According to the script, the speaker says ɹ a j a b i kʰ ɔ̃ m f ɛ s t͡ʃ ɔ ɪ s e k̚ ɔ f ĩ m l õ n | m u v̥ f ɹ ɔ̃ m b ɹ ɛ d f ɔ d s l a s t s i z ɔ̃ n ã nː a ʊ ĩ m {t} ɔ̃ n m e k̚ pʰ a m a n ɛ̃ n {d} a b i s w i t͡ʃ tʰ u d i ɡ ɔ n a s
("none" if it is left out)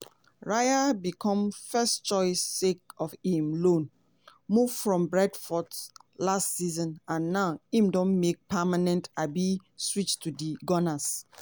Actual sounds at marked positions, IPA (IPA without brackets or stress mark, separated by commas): d, t